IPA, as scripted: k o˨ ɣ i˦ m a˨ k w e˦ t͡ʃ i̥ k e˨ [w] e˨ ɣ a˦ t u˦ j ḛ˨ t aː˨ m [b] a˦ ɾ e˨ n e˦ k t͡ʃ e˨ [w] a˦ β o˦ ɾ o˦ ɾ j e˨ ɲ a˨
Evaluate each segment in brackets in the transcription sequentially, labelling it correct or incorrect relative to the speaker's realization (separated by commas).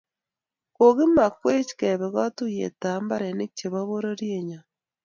incorrect, correct, incorrect